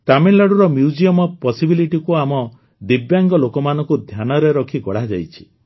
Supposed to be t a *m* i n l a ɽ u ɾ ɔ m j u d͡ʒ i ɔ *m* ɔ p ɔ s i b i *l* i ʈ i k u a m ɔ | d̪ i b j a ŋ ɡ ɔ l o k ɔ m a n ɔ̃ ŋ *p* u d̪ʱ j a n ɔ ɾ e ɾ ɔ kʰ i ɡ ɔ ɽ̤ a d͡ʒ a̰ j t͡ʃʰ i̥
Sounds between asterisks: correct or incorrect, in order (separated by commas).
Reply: correct, correct, correct, incorrect